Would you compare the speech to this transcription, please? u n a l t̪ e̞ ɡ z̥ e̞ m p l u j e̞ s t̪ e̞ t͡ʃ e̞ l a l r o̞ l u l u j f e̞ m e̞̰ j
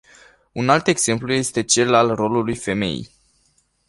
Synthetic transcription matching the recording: u n a l t̪ e̞ ɡ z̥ e̞ m p l u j e̞ s t̪ e̞ t͡ʃ e̞ l a l r o̞ l u l u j f e̞ m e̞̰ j